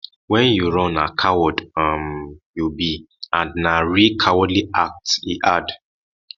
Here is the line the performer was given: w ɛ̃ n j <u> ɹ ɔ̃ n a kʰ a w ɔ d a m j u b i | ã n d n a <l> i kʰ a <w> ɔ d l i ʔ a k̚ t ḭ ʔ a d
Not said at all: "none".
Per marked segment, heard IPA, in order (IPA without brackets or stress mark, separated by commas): u, ɹ, w